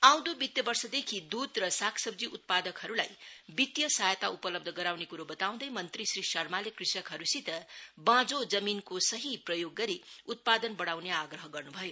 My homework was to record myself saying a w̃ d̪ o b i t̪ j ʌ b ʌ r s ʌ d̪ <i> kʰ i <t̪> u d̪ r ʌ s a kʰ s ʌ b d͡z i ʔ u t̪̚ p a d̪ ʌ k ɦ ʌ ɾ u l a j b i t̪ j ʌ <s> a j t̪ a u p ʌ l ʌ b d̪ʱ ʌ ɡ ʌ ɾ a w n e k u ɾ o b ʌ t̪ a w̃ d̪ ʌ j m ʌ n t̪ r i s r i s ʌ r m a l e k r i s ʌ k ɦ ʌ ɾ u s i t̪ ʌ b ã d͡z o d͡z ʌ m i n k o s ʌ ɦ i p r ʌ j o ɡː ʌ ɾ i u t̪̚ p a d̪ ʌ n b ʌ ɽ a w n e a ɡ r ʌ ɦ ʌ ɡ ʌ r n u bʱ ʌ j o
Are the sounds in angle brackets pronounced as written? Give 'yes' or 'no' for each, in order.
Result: no, no, yes

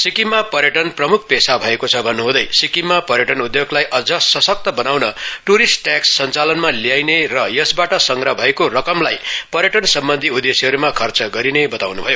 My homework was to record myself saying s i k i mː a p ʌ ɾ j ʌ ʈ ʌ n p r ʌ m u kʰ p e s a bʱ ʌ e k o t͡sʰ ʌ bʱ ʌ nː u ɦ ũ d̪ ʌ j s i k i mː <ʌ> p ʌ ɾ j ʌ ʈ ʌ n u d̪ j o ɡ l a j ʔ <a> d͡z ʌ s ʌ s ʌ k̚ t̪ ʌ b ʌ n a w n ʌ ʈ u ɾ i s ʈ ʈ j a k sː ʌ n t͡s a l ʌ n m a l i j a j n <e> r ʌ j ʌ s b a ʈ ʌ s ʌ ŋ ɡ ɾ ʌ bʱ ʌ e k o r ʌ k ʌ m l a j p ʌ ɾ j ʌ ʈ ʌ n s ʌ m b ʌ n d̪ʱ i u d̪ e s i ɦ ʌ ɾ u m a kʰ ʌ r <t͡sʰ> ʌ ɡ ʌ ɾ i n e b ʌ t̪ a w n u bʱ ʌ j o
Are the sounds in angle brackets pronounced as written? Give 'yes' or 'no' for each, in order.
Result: no, no, yes, no

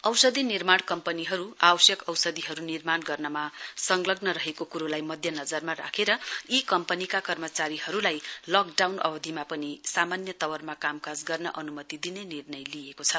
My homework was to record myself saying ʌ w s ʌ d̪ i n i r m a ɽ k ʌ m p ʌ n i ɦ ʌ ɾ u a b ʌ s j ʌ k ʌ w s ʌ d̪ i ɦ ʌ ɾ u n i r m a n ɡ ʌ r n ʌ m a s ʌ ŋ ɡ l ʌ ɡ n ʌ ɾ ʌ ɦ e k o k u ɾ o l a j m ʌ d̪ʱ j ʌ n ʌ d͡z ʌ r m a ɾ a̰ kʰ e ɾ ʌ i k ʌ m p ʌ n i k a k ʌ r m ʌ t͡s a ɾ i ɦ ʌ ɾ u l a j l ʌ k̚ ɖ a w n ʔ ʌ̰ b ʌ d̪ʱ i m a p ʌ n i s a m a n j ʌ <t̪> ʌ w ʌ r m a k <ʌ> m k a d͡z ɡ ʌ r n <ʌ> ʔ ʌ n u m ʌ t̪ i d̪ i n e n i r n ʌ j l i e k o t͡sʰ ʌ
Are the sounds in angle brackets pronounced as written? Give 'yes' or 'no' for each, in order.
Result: yes, no, yes

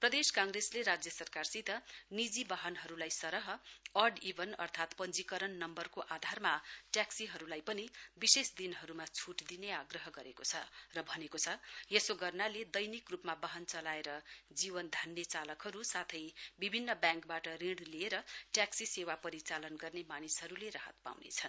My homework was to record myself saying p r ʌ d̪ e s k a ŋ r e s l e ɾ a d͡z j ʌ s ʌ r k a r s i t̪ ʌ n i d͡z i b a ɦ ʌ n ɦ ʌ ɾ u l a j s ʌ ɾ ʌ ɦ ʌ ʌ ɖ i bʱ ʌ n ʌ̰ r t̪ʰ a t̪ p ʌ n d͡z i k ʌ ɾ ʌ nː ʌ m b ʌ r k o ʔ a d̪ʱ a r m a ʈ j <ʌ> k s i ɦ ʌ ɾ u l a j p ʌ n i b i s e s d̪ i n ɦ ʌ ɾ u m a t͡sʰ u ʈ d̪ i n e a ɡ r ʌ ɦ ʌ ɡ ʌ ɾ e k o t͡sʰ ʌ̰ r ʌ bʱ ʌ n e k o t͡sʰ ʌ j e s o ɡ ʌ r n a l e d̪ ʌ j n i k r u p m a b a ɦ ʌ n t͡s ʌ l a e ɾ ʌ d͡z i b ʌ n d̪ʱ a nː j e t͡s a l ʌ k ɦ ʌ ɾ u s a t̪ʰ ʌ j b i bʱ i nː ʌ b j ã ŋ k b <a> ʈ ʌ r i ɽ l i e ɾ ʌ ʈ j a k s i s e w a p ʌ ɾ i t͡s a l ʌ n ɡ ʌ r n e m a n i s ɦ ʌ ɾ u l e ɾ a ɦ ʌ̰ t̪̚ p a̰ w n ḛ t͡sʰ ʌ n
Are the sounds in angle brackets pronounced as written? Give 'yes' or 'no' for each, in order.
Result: no, yes

